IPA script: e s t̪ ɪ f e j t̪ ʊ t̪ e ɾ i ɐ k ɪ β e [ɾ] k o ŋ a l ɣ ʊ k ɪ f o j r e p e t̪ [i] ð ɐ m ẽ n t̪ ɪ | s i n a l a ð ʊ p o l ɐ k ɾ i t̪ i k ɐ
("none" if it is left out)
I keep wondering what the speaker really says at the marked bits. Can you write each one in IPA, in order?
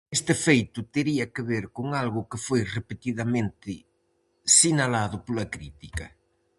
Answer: ɾ, i

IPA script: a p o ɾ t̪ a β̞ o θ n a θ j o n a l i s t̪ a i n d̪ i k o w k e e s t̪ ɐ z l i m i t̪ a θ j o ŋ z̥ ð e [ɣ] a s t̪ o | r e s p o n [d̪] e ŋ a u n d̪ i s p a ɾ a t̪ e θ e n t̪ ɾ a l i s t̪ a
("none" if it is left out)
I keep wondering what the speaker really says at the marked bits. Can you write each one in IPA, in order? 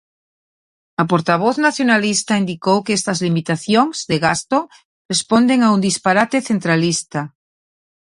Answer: ɣ, d̪

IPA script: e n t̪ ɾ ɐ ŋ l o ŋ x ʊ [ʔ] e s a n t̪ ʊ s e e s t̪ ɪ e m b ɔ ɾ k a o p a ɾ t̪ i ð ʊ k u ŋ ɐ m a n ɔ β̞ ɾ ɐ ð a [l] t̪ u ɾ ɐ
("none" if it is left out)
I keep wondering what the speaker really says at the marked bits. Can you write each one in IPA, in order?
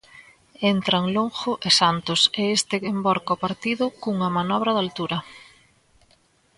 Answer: ʔ, l

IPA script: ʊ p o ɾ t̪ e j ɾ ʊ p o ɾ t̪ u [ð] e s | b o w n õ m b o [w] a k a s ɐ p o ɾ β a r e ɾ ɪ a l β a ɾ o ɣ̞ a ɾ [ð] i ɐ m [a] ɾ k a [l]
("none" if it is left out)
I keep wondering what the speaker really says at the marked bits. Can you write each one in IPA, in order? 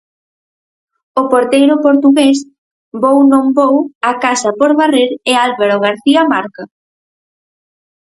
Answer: ɣ, w, θ, a, none

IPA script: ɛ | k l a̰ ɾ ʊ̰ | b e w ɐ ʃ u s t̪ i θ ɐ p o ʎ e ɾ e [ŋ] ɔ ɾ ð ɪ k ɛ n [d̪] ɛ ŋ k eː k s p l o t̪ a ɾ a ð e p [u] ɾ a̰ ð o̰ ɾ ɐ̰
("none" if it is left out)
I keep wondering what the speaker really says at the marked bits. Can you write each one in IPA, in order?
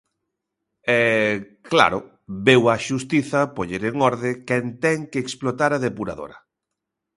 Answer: ŋ, t̪, u

